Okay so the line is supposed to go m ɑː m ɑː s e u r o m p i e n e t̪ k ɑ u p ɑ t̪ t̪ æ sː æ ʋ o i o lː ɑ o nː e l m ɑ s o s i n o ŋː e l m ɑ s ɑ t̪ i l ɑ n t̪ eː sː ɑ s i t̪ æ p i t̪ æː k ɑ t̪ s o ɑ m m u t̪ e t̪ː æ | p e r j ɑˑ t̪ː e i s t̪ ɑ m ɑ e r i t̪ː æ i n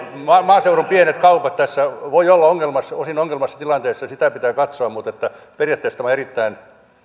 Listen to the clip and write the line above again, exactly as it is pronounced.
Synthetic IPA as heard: m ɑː m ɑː s e u r o m p i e n e t̪ k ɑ u p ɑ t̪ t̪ æ sː æ ʋ o i o lː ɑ o ŋː e l m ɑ s o s i n o ŋː e l m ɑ sː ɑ t̪ i l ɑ n t̪ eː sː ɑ s i t̪ æ p i t̪ æː k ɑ t̪ s o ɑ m m u t̪ e t̪ː æ | p e r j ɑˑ t̪ː e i s t̪ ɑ m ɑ e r i t̪ː æ i n